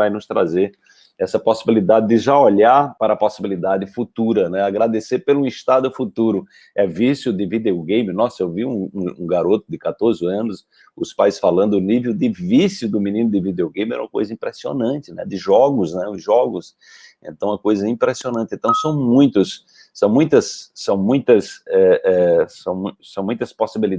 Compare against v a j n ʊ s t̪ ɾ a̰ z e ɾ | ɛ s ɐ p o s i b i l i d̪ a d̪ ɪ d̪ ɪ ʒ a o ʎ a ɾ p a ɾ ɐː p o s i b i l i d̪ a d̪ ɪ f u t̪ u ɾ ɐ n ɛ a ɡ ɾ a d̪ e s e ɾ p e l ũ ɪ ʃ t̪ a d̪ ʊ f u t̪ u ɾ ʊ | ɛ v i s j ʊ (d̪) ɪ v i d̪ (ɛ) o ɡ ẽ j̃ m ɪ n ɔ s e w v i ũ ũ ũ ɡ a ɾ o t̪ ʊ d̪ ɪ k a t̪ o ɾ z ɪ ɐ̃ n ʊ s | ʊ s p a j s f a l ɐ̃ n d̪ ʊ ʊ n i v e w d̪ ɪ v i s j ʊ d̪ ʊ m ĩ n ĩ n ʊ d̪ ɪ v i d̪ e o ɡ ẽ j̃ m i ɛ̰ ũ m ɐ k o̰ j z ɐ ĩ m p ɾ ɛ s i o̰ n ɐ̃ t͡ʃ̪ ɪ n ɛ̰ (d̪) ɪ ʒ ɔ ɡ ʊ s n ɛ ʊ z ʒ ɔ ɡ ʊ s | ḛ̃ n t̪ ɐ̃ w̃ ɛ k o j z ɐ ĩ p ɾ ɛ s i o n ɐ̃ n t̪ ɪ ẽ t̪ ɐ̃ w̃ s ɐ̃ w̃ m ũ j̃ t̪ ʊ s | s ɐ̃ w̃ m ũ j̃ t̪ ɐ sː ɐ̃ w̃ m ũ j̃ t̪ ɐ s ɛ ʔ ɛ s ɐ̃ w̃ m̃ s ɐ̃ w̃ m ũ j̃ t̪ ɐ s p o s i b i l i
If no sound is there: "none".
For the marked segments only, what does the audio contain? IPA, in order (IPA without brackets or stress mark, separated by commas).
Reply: d̪, e, d̪